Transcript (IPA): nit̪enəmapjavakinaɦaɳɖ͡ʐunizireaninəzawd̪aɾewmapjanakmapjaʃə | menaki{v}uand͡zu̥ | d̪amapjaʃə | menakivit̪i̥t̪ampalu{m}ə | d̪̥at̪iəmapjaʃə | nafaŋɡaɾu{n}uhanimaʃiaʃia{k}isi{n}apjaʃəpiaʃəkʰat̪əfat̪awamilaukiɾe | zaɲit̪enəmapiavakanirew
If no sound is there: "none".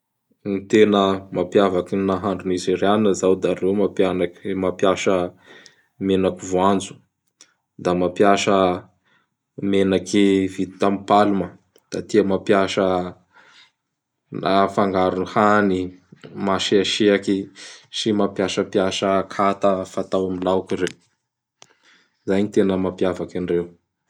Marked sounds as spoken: v, m, n, k, m

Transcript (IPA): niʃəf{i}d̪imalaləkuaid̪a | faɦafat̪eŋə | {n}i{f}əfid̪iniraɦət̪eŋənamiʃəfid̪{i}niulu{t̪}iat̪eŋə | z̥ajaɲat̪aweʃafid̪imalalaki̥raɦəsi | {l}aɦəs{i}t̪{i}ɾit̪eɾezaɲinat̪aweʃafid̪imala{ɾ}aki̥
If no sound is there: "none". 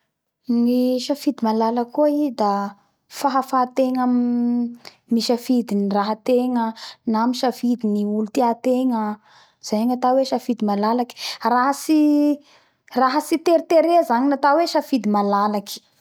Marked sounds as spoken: i, m, ʃ, i, t̪, r, i, e, l

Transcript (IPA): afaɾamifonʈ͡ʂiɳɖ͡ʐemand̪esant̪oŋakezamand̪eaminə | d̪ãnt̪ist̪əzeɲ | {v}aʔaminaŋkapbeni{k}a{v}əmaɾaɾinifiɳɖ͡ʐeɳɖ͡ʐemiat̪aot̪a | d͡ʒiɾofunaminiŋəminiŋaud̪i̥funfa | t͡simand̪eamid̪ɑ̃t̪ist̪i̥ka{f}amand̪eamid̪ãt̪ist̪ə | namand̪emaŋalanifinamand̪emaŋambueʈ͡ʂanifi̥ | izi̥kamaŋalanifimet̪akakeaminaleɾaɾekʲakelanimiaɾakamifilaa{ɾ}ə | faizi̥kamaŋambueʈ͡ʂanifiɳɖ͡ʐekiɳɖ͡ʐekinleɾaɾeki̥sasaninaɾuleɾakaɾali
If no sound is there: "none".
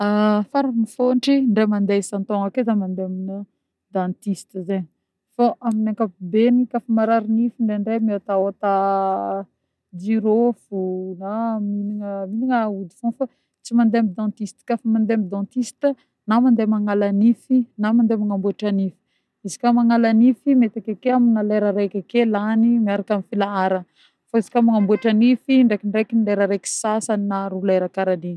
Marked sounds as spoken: f, k, f, f, ɾ

